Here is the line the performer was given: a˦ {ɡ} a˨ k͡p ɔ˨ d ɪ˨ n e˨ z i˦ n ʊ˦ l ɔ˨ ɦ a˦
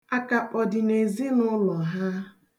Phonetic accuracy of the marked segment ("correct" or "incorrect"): incorrect